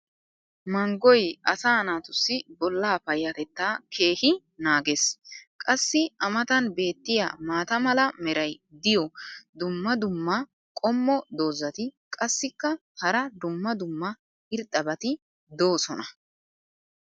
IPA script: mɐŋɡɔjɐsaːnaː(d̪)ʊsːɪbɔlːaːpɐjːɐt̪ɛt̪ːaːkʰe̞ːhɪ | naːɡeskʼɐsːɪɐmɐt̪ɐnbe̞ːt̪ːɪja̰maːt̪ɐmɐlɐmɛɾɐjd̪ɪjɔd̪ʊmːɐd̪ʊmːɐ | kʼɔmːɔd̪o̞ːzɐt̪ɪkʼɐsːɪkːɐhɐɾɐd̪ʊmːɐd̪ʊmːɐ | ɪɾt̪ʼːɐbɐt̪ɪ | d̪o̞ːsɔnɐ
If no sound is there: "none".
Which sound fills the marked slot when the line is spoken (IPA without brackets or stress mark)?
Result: t̪